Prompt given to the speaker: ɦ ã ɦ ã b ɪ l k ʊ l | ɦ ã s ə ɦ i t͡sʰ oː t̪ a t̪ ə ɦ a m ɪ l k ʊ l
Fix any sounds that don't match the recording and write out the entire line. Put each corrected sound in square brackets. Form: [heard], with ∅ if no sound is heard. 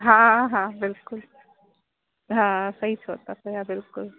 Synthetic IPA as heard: ɦ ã ɦ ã b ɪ l k ʊ l | ɦ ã s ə ɦ i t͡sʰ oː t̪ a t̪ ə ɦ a [b] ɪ l k ʊ l